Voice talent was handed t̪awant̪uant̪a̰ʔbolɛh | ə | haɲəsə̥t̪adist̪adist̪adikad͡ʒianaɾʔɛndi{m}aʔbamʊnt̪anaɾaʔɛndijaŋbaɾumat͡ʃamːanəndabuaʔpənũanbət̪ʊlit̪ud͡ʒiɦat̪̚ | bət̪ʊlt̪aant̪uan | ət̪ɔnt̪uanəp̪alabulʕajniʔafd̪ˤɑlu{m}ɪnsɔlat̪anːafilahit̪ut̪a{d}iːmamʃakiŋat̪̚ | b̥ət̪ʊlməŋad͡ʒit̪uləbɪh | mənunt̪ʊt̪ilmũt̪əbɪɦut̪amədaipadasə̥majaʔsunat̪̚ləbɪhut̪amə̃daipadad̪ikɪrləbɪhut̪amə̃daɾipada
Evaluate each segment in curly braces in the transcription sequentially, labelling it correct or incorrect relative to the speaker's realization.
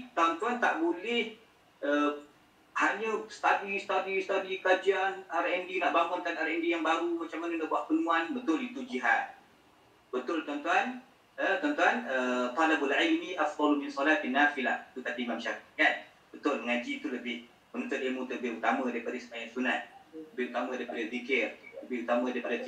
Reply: incorrect, correct, correct

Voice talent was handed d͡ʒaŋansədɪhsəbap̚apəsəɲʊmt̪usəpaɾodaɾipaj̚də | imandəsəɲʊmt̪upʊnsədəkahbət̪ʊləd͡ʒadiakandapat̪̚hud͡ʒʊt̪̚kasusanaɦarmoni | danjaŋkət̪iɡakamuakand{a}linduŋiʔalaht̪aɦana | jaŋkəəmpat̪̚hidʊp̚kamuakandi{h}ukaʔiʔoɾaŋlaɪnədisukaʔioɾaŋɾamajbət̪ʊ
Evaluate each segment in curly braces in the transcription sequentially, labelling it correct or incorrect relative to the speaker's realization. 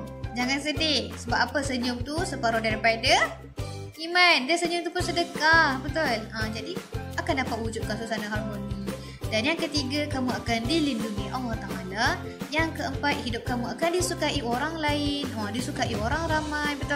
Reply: incorrect, incorrect

